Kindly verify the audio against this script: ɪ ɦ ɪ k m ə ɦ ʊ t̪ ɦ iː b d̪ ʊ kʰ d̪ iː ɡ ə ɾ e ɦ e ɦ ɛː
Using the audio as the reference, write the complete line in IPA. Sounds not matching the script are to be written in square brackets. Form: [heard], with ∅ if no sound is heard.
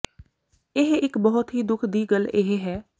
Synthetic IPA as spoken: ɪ ɦ ɪ k [b] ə ɦ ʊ t̪ ɦ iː [∅] d̪ ʊ kʰ d̪ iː ɡ ə [l] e ɦ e ɦ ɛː